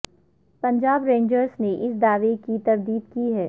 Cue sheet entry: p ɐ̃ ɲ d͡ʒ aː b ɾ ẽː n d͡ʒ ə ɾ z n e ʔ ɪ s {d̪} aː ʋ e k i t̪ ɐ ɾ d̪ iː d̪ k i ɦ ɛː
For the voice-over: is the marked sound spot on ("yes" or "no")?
yes